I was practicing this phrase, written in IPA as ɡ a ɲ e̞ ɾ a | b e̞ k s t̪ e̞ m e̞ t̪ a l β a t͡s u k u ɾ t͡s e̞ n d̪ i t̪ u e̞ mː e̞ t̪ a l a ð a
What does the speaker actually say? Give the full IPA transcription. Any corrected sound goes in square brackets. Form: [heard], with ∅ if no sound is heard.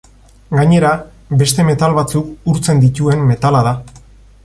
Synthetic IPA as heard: ɡ a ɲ e̞ ɾ a | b e̞ [∅] s t̪ e̞ m e̞ t̪ a l β a t͡s u k u ɾ t͡s e̞ n d̪ i t̪ u e̞ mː e̞ t̪ a l a ð a